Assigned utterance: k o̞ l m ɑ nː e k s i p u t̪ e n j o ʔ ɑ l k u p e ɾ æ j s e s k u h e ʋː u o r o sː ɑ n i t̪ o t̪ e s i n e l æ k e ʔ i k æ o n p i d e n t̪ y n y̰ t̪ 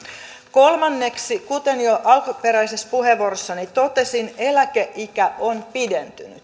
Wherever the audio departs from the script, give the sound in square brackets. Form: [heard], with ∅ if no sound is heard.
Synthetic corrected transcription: k o̞ l m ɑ nː e k s i [k] u t̪ e n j o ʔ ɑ l k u p e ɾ æ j s e s [p] u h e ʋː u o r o sː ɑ n i t̪ o t̪ e s i n e l æ k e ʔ i k æ o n p i d e n t̪ y n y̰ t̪